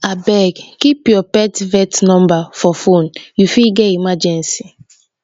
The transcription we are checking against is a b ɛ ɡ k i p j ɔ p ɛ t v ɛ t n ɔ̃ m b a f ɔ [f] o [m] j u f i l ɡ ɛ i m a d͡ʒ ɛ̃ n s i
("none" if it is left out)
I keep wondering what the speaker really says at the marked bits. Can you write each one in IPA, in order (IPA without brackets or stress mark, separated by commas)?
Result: f, n